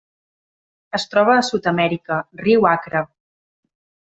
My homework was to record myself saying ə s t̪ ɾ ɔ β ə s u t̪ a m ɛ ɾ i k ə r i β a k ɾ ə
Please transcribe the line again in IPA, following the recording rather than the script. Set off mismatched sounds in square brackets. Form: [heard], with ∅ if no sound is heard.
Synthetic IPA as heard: ə s t̪ ɾ ɔ β [əː] s u t̪ [ə] m ɛ ɾ i k ə r i [w] a k ɾ ə